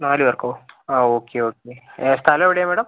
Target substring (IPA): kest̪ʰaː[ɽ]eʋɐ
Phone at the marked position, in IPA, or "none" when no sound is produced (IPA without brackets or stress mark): l